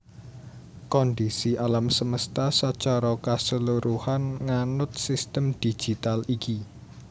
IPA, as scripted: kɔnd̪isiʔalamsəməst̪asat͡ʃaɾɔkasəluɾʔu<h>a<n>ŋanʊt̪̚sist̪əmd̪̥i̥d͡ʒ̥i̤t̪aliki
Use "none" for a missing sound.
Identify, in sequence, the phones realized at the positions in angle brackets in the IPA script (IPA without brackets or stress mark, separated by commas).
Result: h, n